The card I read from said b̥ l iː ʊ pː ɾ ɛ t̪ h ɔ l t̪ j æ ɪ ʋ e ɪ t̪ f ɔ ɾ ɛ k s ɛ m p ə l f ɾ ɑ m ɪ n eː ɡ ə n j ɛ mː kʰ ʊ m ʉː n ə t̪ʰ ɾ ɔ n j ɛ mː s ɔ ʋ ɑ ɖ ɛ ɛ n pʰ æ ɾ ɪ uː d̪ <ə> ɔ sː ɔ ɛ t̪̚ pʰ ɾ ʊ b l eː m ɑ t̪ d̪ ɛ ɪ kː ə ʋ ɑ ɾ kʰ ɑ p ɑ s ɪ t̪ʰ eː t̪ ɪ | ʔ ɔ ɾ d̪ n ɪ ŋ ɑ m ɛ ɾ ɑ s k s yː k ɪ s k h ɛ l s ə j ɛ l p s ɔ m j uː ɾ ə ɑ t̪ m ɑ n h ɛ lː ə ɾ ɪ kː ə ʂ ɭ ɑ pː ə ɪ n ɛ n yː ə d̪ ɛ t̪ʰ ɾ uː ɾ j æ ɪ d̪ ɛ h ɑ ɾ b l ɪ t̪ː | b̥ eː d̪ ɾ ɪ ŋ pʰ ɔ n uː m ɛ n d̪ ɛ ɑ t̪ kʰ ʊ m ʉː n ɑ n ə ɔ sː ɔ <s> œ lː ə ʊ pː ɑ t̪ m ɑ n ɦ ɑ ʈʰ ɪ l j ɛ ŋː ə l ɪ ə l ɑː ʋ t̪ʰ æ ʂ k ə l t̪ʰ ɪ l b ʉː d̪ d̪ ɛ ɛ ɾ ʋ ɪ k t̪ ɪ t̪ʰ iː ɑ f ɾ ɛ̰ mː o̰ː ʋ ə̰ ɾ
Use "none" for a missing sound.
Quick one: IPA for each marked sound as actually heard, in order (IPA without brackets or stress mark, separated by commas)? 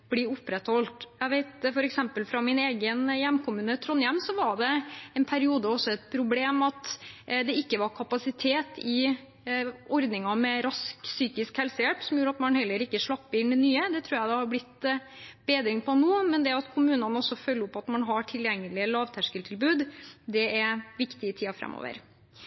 ə, f